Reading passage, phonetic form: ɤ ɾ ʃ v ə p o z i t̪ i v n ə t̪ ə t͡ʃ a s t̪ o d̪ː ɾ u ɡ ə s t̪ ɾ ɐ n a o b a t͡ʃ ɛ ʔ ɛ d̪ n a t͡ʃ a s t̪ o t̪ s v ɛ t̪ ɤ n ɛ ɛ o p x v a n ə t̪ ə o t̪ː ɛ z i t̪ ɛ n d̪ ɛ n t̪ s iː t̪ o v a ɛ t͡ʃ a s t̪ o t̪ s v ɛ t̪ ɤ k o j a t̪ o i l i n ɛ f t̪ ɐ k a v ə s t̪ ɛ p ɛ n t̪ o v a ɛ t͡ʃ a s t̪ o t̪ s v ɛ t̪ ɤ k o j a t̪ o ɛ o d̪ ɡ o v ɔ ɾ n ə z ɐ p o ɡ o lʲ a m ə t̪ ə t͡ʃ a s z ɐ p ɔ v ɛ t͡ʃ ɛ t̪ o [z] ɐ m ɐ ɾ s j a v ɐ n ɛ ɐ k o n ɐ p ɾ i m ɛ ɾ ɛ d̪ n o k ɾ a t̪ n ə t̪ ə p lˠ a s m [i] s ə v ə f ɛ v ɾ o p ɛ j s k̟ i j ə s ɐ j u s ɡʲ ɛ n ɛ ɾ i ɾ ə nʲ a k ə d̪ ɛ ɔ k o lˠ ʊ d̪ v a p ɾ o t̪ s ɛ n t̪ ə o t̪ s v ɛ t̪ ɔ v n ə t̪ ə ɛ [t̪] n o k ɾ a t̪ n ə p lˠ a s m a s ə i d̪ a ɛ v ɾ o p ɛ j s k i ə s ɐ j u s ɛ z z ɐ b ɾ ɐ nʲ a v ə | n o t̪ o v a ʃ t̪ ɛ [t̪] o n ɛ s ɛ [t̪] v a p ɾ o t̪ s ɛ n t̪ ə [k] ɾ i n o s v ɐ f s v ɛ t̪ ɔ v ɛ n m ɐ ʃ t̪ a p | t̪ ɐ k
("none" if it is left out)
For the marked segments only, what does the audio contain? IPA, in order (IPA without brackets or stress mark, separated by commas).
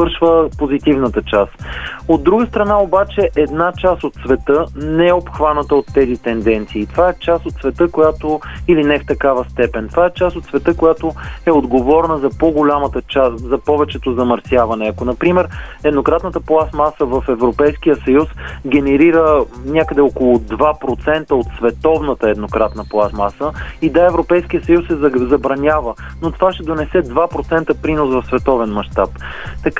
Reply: z, a, d̪, d̪, d̪, p